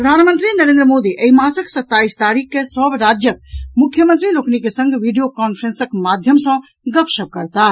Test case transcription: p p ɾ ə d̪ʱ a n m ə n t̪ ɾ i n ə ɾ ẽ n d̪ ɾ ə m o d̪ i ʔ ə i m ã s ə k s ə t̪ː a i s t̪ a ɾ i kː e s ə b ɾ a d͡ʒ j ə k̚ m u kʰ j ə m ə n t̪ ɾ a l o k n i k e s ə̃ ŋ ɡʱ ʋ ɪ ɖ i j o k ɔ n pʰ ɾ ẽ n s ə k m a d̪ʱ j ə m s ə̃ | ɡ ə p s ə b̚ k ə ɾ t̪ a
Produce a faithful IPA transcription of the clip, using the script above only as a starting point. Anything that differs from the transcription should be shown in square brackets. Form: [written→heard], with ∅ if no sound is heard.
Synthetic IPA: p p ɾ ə d̪ʱ a n m ə n t̪ ɾ i n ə ɾ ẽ n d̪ ɾ ə m o d̪ i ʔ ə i m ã s ə k s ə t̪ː a i s t̪ a ɾ i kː e s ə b ɾ a d͡ʒ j ə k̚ m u kʰ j ə m ə n t̪ ɾ [a→i] l o k n i k e s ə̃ ŋ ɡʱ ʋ [ɪ→i] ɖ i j o k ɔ n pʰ ɾ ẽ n s ə k m a d̪ʱ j ə m s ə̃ | ɡ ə p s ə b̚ k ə ɾ t̪ a